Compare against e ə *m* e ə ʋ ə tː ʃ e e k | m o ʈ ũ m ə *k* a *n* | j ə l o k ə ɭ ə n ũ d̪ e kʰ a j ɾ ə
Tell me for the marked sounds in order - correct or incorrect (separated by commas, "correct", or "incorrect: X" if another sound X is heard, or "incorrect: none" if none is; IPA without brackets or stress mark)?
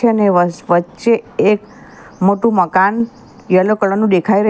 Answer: incorrect: n, correct, correct